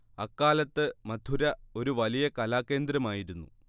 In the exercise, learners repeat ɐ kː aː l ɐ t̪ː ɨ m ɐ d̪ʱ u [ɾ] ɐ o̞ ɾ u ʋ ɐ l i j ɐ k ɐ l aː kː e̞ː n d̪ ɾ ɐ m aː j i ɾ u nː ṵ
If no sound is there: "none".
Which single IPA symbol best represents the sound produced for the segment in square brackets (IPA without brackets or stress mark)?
ɾ